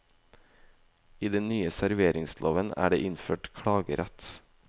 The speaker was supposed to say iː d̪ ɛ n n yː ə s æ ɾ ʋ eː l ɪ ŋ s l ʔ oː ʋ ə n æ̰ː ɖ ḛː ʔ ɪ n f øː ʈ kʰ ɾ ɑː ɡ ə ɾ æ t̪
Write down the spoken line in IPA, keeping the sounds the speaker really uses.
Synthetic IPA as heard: iː d̪ ɛ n n yː ə s æ ɾ ʋ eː ɾ ɪ ŋ s l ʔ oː ʋ ə n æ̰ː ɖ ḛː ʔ ɪ n f øː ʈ kʰ ɽ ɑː ɡ ə ɾ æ t̪